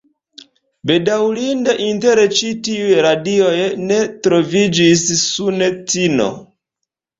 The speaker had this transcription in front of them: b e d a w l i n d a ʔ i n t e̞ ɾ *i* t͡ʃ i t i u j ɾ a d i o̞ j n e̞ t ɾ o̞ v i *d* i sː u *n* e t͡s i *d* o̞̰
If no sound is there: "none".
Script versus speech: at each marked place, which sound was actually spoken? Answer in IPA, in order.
e, d͡ʒ, n, n

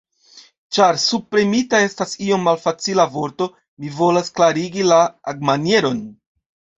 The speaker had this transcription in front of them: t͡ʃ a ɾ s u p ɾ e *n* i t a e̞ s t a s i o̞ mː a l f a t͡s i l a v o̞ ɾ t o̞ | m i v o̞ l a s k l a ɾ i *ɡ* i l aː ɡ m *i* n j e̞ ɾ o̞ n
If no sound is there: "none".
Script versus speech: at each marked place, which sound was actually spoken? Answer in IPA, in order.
m, ɡ, a

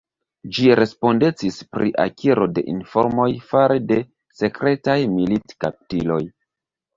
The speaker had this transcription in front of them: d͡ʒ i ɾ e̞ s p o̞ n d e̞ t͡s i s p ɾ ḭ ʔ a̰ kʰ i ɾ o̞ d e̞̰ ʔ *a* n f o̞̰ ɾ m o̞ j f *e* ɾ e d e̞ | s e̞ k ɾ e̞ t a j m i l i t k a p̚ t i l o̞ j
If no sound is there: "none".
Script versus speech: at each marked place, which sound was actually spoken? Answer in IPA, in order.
i, a

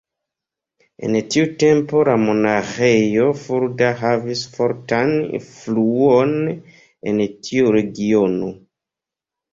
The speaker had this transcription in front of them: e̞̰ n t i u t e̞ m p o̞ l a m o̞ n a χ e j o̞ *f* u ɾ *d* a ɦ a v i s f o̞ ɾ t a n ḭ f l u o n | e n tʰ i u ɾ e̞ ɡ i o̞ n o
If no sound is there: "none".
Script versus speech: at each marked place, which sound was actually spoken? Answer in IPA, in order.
f, d

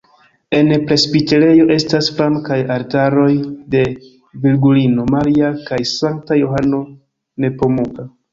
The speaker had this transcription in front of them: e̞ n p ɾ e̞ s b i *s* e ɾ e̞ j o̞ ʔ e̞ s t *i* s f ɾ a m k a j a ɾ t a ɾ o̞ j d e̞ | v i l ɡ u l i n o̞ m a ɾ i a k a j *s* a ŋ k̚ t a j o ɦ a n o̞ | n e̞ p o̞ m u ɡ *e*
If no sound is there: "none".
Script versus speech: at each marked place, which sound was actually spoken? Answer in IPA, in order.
t, a, s, a

